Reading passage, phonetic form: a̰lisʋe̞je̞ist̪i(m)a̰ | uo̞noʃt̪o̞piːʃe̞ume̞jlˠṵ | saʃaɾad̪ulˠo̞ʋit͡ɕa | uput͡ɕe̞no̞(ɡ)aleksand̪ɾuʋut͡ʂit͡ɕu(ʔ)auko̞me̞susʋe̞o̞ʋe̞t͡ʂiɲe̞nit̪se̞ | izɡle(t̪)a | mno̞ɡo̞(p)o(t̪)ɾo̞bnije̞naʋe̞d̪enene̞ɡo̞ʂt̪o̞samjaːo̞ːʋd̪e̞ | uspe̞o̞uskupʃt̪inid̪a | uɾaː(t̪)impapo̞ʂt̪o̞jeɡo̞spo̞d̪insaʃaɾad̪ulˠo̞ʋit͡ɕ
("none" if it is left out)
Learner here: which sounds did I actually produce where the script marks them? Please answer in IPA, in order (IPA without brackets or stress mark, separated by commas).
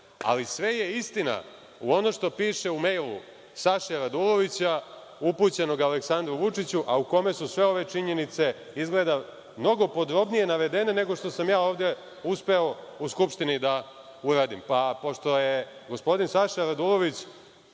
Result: n, ɡ, ʔ, d̪, p, d̪, d̪